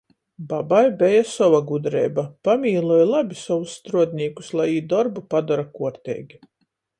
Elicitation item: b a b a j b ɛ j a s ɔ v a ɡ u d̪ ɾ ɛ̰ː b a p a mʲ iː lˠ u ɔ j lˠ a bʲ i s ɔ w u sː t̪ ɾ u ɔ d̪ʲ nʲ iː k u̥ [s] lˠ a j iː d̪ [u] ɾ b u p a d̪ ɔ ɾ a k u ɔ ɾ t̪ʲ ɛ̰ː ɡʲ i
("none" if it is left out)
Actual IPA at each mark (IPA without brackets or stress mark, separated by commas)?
s, ɔ